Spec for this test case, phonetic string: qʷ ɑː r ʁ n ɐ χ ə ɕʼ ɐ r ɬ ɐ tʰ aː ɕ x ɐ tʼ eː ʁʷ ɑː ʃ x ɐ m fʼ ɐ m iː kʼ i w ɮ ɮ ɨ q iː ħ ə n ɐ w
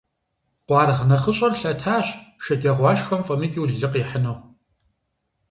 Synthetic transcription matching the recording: qʷ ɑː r ʁ n ɐ χ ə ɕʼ ɐ r ɬ ɐ tʰ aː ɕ ʃ ɐ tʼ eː ʁʷ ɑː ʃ x ɐ m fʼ ɐ m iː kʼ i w ɮ ɮ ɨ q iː ħ ə n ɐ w